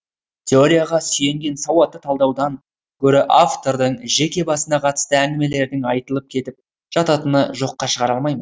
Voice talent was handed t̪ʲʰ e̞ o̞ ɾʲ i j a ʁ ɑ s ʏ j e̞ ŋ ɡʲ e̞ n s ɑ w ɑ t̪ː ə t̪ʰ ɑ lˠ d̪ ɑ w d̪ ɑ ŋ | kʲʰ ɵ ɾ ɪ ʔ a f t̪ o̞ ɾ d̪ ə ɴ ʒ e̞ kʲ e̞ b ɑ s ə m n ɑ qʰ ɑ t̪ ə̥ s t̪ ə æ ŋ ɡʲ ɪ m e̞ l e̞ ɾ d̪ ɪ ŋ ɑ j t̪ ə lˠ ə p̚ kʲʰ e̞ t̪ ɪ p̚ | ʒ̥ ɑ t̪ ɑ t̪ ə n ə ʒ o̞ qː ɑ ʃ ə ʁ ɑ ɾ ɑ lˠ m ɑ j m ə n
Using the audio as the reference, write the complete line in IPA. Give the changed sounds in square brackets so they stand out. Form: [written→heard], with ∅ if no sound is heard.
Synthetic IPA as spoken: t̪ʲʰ e̞ o̞ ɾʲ i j a ʁ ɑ s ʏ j e̞ ŋ ɡʲ e̞ n s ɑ w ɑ t̪ː ə t̪ʰ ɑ lˠ d̪ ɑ w d̪ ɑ ŋ | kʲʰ ɵ ɾ ɪ ʔ a f t̪ o̞ ɾ d̪ ə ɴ ʒ e̞ kʲ e̞ b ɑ s ə [m→∅] n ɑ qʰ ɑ t̪ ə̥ s t̪ ə æ ŋ ɡʲ ɪ m e̞ l e̞ ɾ d̪ ɪ ŋ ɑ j t̪ ə lˠ ə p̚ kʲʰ e̞ t̪ ɪ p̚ | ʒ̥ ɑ t̪ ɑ t̪ ə n ə ʒ o̞ qː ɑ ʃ ə ʁ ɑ ɾ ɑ lˠ m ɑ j m ə n